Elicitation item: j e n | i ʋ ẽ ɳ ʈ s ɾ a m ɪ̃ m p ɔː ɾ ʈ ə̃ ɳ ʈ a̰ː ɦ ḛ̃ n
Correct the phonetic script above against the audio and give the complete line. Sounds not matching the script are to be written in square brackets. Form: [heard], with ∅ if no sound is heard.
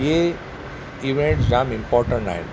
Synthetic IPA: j e [∅] | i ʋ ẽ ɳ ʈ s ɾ a m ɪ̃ m p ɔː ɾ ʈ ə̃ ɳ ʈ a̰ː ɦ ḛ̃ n